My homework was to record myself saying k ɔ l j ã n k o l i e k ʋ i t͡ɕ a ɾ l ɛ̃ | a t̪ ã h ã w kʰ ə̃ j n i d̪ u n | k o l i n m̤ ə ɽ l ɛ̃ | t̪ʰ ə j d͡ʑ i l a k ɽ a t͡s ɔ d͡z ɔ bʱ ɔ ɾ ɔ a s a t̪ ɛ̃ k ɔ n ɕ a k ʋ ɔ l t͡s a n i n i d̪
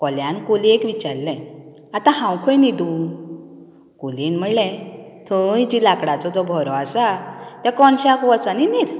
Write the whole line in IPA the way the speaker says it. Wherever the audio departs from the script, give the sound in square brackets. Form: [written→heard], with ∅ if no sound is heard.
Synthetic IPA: k ɔ l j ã n k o l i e k ʋ i t͡ɕ a ɾ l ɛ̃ | a t̪ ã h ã w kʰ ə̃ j n i d̪ u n | k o l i n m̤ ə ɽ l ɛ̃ | t̪ʰ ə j d͡ʑ i l a k ɽ a t͡s ɔ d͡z ɔ bʱ ɔ ɾ ɔ a s a t̪ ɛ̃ k ɔ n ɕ a k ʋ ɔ [l→∅] t͡s a n i n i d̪